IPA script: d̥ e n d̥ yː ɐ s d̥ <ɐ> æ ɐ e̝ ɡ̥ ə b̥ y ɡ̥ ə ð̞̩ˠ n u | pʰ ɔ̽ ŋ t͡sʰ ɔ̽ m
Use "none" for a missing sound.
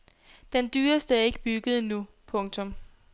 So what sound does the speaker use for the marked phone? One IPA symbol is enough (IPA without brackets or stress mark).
ə